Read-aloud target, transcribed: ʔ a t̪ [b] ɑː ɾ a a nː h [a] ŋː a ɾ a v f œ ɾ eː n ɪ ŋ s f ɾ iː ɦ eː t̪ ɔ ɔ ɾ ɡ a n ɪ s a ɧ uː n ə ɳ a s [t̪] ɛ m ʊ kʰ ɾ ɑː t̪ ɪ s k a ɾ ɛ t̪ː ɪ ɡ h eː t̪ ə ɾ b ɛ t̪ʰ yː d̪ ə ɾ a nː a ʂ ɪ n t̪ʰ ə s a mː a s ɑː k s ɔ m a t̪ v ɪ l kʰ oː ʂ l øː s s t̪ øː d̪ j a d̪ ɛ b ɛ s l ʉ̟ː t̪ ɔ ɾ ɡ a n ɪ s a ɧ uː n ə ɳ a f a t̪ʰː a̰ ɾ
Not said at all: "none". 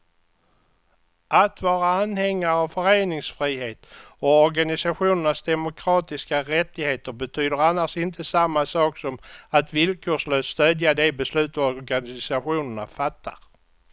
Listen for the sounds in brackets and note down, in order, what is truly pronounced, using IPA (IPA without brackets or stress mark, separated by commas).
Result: v, ɛ, d̪